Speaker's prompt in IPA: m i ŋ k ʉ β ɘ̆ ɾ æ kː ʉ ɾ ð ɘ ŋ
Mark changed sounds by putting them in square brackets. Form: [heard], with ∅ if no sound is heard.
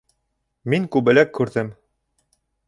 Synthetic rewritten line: m i ŋ k ʉ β ɘ̆ [l] æ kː ʉ ɾ ð ɘ [m]